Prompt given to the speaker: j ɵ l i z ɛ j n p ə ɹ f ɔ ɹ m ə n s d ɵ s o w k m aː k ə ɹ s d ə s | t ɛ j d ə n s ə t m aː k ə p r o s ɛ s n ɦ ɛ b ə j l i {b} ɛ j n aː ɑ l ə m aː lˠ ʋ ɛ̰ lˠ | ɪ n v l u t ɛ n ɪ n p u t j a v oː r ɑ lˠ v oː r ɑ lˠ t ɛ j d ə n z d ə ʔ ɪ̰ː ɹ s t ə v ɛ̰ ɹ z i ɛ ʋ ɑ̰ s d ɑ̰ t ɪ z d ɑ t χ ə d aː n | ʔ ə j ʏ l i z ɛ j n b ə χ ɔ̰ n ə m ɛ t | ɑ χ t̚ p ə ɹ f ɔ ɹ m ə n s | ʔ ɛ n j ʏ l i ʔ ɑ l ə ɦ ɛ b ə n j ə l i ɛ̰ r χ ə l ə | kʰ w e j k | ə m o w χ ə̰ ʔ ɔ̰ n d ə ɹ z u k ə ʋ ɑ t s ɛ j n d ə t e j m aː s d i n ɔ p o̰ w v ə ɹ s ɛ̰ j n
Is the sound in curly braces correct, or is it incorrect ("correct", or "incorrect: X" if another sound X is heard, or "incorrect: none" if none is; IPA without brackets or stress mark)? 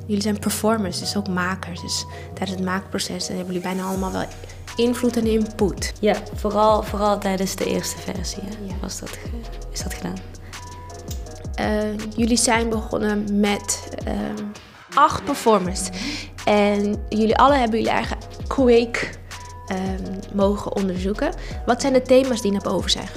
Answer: correct